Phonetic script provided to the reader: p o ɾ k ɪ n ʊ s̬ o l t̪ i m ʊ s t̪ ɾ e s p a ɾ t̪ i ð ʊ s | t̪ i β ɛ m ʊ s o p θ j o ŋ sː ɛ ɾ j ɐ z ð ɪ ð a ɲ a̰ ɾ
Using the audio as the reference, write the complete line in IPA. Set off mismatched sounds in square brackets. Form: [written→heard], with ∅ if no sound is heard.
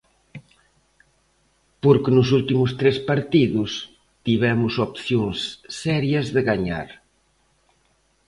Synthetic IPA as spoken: p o ɾ k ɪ n ʊ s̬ [o→u] l t̪ i m ʊ s t̪ ɾ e s p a ɾ t̪ i ð ʊ s | t̪ i β ɛ m ʊ s o p θ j o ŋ sː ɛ ɾ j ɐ z ð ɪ [ð→ɣ] a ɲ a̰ ɾ